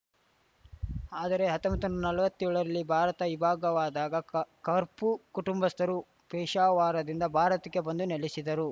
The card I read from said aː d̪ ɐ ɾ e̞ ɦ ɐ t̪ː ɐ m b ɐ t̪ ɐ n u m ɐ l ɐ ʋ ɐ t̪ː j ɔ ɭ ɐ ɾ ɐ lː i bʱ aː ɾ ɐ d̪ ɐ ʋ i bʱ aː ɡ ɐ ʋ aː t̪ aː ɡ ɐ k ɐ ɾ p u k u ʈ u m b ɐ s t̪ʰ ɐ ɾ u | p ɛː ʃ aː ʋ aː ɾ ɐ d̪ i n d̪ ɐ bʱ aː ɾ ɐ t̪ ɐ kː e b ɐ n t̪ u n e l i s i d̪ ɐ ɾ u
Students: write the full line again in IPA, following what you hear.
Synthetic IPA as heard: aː d̪ ɐ ɾ e̞ ɦ ɐ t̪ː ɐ m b ɐ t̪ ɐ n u n ɐ l ɐ ʋ ɐ t̪ː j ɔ ɭ ɐ ɾ ɐ lː i bʱ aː ɾ ɐ t̪ ɐ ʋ i bʱ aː ɡ ɐ ʋ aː d̪ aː ɡ ɐ k ɐ ɾ p u k u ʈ u m b ɐ s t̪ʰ ɐ ɾ u | p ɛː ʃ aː ʋ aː ɾ ɐ d̪ i n d̪ ɐ bʱ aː ɾ ɐ t̪ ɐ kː e b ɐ n d̪ u n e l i s i d̪ ɐ ɾ u

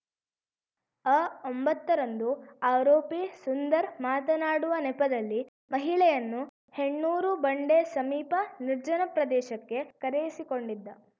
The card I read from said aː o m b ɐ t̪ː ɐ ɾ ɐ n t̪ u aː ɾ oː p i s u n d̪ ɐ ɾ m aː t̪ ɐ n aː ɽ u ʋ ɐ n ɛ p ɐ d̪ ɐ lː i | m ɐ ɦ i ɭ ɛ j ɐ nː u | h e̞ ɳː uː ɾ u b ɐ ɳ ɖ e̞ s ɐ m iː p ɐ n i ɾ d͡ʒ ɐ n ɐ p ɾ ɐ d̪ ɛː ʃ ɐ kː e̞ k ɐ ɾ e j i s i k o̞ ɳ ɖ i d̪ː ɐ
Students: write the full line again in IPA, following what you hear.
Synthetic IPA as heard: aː o m b ɐ t̪ː ɐ ɾ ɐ n d̪ u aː ɾ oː p i s u n d̪ ɐ ɾ m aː t̪ ɐ n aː ɽ u ʋ ɐ n ɛ p ɐ d̪ ɐ lː i | m ɐ ɦ i ɭ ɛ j ɐ nː u | h e̞ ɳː uː ɾ u b ɐ ɳ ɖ e̞ s ɐ m iː p ɐ n i ɾ d͡ʒ ɐ n ɐ p ɾ ɐ d̪ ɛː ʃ ɐ kː e̞ k ɐ ɾ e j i s i k o̞ ɳ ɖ i d̪ː ɐ

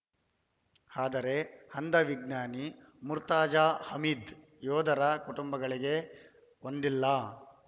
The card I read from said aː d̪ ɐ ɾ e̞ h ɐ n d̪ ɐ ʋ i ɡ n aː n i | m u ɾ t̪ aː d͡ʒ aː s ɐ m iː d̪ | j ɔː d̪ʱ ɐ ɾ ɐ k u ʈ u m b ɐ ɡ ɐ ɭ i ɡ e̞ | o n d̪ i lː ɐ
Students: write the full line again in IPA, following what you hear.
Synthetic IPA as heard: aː d̪ ɐ ɾ e̞ h ɐ n d̪ ɐ ʋ i ɡ n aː n i | m u ɾ t̪ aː d͡ʒ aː h ɐ m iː d̪ | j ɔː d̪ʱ ɐ ɾ ɐ k u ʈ u m b ɐ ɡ ɐ ɭ i ɡ e̞ | o n d̪ i lː ɐ

